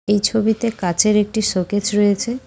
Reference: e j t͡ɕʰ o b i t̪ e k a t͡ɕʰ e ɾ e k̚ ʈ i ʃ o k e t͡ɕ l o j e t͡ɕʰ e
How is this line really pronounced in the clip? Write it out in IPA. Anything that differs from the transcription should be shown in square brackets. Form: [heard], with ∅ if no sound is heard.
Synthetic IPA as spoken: e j t͡ɕʰ o b i t̪ e k a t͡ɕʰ e ɾ e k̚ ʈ i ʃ o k e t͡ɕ [ɾ] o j e t͡ɕʰ e

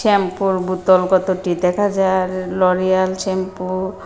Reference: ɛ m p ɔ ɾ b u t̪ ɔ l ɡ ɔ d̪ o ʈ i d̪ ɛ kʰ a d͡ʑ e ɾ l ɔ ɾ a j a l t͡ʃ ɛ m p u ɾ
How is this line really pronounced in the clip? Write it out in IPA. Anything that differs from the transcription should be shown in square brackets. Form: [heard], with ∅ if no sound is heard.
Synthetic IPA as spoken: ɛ m p [u] ɾ b u t̪ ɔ l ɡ ɔ [t̪] o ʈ i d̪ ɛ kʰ a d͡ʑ [a] ɾ l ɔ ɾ [i] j a l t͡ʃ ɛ m p u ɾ

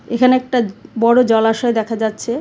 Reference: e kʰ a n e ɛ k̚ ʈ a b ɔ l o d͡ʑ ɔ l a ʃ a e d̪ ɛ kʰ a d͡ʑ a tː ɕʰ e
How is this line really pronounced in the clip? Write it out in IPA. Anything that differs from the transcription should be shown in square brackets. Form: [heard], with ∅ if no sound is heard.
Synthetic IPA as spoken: e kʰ a n e ɛ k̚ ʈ a b ɔ [ɽ] o d͡ʑ ɔ l a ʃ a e d̪ ɛ kʰ a d͡ʑ a tː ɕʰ e

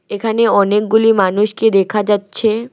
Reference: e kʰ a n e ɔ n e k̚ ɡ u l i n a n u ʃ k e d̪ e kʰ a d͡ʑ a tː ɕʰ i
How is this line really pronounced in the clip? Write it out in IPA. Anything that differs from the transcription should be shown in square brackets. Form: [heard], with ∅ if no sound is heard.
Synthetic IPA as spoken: e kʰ a n e ɔ n e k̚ ɡ u l i [m] a n u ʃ k e d̪ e kʰ a d͡ʑ a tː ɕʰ [e]

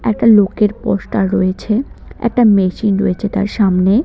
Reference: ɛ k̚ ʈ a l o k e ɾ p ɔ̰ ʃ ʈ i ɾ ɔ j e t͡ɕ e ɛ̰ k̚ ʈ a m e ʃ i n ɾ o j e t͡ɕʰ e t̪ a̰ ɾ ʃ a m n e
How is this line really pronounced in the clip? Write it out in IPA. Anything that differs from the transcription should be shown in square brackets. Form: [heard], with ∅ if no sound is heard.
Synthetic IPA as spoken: ɛ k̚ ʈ a l o k e ɾ p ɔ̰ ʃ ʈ [a] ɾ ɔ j e [t͡ɕʰ] e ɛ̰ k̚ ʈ a m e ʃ i n ɾ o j e t͡ɕʰ e t̪ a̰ ɾ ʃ a m n e

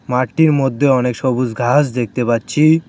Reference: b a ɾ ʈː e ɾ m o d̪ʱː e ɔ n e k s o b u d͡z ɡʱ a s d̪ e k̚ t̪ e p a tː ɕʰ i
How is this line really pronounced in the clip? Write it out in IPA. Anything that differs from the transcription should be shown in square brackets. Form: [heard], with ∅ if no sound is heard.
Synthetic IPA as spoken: [m] a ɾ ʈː [i] ɾ m o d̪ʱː e ɔ n e k [ʃ] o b u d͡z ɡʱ a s d̪ e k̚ t̪ e p a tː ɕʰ i

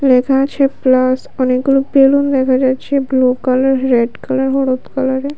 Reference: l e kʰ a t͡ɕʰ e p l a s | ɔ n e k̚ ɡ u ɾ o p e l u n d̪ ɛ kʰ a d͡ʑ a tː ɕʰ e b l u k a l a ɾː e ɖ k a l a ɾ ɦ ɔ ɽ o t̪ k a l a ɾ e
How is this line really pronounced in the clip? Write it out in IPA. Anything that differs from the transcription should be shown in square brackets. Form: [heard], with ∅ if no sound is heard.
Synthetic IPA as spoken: l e kʰ a t͡ɕʰ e p l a s | ɔ n e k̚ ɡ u [l] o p e l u n d̪ ɛ kʰ a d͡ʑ a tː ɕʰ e b l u k a l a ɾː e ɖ k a l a ɾ ɦ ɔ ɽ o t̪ k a l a ɾ e

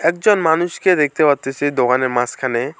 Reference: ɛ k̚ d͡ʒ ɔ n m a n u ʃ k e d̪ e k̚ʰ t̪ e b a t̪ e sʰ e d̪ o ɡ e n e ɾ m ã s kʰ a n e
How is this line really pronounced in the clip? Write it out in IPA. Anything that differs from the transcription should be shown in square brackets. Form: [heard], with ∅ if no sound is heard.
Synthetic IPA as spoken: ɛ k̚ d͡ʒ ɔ n m a n u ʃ k e d̪ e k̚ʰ t̪ e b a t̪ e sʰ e d̪ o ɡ [a] n e ɾ m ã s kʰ a n e

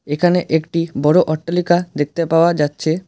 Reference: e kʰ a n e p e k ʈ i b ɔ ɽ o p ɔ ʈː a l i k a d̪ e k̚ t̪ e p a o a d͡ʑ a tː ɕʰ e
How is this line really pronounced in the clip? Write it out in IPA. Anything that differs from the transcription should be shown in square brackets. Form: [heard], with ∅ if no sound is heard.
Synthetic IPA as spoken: e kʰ a n e [ʔ] e k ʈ i b ɔ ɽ o [ʔ] ɔ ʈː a l i k a d̪ e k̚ t̪ e p a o a d͡ʑ a tː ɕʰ e

